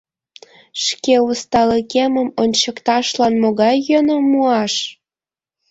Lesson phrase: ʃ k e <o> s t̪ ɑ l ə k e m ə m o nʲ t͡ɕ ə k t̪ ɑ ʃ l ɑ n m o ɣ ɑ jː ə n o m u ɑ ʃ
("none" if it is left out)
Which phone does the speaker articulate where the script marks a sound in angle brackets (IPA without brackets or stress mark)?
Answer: u